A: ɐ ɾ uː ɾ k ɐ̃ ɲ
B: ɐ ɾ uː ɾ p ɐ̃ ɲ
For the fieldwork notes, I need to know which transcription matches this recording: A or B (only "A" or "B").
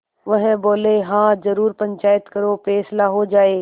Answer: B